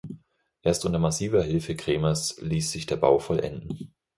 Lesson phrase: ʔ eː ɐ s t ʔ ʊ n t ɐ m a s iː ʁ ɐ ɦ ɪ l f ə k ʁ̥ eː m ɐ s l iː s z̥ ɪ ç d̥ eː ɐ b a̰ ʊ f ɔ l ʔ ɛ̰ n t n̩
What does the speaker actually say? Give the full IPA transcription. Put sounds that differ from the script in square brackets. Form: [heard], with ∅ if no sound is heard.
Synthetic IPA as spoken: ʔ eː ɐ s t ʔ ʊ n t ɐ m a s iː [v] ɐ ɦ ɪ l f ə k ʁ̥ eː m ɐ s l iː s z̥ ɪ ç d̥ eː ɐ b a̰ ʊ f ɔ l ʔ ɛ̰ n [d] n̩